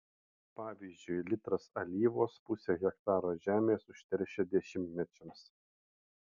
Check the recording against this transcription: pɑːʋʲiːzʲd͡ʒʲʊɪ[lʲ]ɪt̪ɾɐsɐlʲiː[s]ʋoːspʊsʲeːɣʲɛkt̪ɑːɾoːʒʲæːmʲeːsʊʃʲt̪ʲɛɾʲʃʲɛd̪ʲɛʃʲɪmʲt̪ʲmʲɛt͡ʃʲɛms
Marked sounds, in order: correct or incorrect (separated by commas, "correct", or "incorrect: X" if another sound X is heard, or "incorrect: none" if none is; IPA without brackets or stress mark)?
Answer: correct, incorrect: none